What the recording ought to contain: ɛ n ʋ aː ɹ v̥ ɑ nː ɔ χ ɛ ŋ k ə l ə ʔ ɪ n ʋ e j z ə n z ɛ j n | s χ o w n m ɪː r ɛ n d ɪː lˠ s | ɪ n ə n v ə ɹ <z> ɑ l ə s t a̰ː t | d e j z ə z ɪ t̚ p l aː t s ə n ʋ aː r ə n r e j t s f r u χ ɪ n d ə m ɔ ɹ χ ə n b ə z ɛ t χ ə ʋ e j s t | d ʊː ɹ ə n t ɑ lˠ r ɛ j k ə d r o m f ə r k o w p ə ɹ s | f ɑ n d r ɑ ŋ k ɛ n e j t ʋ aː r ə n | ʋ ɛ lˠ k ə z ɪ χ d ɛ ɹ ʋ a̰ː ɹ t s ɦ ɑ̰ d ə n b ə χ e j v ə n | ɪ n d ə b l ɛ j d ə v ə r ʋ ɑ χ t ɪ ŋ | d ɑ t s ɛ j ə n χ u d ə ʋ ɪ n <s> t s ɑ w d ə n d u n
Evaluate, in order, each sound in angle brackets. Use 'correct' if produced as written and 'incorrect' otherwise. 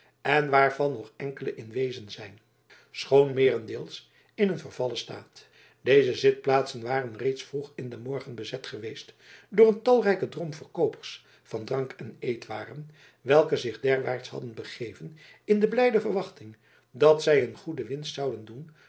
incorrect, correct

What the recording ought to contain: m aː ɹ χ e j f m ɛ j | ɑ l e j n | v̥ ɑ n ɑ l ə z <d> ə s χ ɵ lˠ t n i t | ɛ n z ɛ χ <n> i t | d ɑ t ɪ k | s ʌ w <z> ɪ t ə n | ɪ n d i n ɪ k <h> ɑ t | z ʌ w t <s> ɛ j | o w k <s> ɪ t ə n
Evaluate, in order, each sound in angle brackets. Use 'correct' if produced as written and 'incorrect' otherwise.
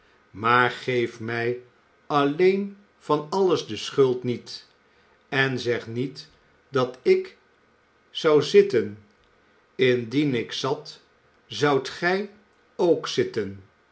correct, correct, correct, incorrect, incorrect, correct

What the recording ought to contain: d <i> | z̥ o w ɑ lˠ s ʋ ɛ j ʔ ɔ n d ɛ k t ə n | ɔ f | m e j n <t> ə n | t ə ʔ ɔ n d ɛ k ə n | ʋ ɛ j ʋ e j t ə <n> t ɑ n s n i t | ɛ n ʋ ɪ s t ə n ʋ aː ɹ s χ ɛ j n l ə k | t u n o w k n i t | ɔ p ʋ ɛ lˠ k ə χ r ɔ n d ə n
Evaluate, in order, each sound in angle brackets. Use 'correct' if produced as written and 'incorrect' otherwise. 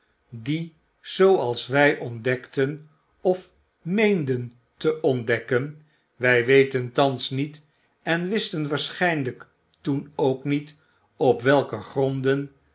correct, incorrect, correct

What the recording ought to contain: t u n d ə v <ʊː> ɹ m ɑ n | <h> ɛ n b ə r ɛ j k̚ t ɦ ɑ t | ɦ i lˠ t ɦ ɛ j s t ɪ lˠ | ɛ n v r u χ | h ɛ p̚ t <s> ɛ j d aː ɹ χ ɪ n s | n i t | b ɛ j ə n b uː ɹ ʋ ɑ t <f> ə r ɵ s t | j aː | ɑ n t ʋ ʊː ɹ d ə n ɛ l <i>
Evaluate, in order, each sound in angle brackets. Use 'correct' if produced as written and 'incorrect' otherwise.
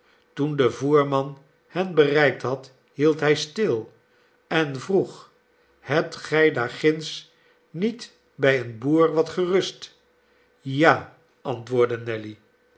incorrect, correct, incorrect, incorrect, correct

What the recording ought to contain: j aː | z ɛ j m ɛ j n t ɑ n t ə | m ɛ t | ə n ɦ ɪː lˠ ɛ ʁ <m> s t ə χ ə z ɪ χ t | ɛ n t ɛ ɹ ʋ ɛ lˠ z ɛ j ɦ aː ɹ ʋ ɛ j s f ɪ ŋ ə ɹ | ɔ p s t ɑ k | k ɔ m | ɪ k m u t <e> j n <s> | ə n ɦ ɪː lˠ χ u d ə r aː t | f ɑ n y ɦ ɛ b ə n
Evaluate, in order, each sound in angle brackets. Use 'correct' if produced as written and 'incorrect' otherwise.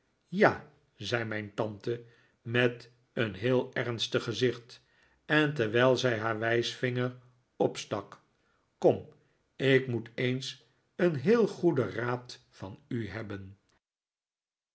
incorrect, correct, correct

